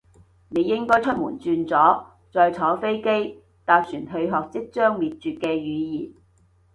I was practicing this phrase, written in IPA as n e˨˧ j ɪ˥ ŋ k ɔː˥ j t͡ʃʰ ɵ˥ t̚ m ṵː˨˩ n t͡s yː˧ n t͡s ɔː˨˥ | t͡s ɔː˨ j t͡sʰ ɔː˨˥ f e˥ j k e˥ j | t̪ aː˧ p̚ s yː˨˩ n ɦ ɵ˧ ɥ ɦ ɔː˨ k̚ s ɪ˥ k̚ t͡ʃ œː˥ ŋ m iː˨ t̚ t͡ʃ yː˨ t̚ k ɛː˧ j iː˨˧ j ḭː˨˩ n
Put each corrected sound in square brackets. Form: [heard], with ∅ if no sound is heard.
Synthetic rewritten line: n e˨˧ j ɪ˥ ŋ k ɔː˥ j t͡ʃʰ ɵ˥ t̚ m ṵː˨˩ n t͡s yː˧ n t͡s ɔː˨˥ | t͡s ɔː˨ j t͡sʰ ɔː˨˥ f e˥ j k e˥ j | t̪ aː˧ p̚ s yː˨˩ n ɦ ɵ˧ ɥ ɦ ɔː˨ k̚ [t͡s] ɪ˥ k̚ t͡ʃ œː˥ ŋ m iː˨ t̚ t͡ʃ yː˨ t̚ k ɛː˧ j [yː˨˧] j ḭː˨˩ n

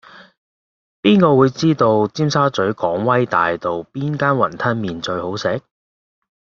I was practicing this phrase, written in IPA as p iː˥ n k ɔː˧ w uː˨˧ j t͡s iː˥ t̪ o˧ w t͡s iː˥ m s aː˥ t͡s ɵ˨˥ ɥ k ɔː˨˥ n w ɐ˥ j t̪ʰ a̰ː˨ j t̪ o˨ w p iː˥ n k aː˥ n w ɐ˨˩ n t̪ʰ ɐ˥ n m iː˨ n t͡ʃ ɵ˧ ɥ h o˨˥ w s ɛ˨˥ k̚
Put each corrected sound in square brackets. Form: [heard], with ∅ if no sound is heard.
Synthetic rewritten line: p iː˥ n k ɔː˧ w uː˨˧ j t͡s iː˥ t̪ o˧ w t͡s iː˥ m s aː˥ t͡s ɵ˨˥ ɥ k ɔː˨˥ [ŋ] w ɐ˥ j [t̪] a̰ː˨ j t̪ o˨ w p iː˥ n k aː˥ n w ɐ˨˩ n t̪ʰ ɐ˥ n m iː˨ n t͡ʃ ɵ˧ ɥ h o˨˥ w s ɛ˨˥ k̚

